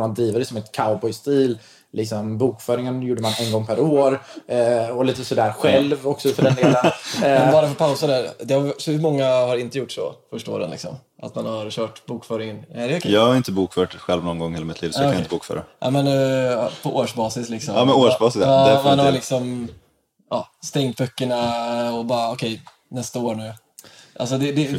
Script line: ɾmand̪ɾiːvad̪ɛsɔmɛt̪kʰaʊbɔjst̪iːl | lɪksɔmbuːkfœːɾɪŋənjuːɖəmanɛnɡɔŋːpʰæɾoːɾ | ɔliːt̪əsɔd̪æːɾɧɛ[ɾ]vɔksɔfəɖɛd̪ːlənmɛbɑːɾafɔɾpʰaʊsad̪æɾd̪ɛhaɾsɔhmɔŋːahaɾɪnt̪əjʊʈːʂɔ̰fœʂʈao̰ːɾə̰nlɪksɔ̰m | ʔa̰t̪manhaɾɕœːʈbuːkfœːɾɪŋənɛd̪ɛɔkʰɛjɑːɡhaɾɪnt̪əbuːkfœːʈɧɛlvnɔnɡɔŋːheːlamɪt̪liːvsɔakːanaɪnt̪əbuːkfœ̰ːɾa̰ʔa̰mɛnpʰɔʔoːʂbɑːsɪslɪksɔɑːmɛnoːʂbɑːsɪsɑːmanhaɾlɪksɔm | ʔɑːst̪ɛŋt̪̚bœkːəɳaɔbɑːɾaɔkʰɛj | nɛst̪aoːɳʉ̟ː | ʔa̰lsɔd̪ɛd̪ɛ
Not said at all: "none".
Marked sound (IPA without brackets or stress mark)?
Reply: l